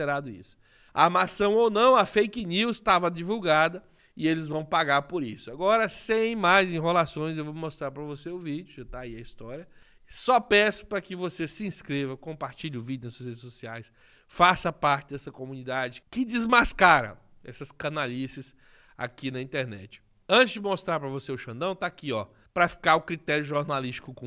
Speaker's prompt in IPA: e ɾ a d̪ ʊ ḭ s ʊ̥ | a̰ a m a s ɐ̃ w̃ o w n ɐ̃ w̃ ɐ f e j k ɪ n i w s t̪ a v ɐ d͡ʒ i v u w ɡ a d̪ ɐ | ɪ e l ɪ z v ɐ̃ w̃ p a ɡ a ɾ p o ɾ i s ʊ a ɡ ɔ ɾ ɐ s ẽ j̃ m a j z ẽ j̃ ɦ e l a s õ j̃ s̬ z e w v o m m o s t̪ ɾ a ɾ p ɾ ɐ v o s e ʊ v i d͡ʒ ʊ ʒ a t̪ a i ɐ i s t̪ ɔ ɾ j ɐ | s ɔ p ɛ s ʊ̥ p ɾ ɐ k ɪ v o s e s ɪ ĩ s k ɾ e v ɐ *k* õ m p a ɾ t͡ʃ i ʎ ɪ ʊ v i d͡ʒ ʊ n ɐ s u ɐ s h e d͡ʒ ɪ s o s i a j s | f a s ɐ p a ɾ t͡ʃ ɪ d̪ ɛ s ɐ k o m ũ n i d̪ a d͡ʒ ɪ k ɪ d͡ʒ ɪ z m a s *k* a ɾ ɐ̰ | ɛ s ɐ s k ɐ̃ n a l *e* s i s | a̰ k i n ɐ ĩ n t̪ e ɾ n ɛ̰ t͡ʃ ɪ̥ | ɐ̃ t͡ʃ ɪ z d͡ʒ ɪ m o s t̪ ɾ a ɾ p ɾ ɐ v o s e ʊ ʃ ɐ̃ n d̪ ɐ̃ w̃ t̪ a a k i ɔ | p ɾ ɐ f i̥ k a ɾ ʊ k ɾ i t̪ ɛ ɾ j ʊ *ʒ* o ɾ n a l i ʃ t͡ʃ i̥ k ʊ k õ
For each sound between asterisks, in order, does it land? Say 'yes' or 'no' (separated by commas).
yes, yes, no, yes